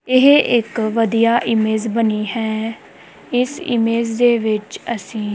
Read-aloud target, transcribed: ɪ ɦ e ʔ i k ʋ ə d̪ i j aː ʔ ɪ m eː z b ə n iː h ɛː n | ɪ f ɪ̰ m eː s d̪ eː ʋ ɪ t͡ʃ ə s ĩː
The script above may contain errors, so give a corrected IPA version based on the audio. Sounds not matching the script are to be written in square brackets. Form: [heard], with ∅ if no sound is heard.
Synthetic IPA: ɪ ɦ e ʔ [ɪ] k ʋ ə d̪ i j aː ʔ ɪ m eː z b ə n iː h ɛː [∅] | ɪ [s] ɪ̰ m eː [z] d̪ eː ʋ ɪ t͡ʃ ə s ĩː